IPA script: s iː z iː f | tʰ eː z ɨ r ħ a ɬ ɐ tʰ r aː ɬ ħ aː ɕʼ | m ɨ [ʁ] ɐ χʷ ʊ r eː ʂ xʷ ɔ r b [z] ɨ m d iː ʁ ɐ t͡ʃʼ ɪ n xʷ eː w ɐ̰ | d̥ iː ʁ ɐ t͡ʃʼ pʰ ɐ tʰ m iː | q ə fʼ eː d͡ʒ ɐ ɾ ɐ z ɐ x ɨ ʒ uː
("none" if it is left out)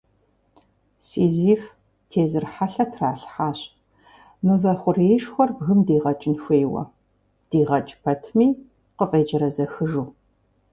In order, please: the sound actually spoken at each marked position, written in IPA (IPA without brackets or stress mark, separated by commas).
v, ɣ